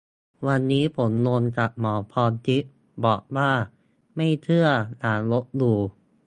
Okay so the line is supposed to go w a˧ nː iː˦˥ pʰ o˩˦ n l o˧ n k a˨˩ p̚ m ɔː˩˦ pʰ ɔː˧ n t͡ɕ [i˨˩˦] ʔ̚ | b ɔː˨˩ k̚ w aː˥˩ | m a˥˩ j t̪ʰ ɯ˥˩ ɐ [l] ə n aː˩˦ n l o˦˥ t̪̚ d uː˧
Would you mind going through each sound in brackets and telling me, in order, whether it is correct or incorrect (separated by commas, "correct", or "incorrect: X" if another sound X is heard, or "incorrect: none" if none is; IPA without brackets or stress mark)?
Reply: incorrect: i˦˥, incorrect: none